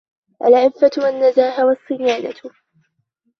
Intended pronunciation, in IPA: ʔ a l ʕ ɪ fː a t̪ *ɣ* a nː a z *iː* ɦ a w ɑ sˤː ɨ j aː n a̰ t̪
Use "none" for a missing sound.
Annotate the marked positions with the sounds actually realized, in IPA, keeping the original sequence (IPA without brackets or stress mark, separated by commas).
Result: w, aː